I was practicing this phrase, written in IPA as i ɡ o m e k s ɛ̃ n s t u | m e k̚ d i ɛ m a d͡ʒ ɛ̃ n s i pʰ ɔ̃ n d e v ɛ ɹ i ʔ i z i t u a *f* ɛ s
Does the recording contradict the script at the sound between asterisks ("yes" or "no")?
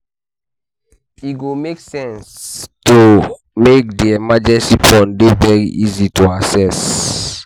yes